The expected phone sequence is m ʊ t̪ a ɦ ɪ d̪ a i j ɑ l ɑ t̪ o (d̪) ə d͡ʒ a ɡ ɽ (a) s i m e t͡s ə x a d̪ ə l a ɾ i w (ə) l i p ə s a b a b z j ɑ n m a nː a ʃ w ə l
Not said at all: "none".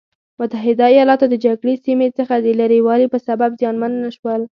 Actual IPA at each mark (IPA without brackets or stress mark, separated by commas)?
d̪, e, ɑ